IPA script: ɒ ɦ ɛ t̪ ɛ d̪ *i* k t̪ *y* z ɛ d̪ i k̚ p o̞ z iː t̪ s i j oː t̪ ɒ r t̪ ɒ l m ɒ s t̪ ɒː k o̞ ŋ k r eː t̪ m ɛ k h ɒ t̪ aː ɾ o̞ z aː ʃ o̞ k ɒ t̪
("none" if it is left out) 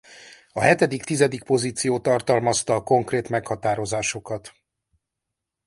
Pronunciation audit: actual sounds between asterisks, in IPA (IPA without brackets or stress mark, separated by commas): i, i